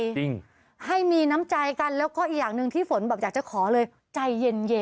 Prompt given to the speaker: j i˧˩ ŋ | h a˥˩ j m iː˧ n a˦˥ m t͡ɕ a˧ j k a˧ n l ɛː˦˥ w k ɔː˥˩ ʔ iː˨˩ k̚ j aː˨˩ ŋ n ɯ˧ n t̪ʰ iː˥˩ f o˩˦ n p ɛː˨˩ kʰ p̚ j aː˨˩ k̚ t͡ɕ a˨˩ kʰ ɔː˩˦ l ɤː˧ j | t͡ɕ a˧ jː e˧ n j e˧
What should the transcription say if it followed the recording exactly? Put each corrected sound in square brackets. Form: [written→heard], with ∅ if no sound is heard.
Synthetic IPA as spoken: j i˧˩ ŋ | h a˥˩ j m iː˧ n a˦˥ m t͡ɕ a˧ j k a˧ n l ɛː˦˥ w k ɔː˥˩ ʔ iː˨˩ k̚ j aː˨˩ ŋ n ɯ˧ [n→ŋ] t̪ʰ iː˥˩ f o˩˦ n [p→b] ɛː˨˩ [kʰ→∅] p̚ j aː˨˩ k̚ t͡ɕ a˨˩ kʰ ɔː˩˦ l ɤː˧ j | t͡ɕ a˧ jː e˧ n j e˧